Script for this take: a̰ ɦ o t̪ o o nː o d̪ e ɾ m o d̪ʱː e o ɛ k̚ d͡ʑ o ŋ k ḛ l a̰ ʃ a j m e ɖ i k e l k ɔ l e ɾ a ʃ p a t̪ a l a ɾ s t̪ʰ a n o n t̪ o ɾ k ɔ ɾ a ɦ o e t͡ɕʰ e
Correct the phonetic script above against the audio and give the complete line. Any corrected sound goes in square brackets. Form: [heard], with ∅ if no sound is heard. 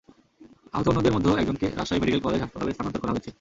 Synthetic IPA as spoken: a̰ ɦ o t̪ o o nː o d̪ e ɾ m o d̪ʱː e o ɛ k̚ d͡ʑ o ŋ k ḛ [ɾ] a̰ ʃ a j m e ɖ i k e l k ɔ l e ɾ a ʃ p a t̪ a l [e] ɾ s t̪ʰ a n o n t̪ o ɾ k ɔ ɾ a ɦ o e t͡ɕʰ e